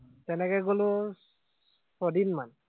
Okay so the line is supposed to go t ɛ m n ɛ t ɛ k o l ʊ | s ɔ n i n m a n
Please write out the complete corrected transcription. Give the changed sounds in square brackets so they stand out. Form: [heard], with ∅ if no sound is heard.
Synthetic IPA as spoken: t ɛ [∅] n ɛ [k] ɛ [ɡ] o l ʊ | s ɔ [d] i n m a n